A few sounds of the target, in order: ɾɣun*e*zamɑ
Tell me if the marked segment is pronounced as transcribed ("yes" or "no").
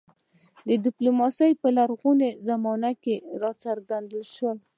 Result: yes